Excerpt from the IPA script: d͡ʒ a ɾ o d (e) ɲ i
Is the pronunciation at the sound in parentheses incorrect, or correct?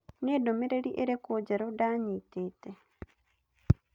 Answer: incorrect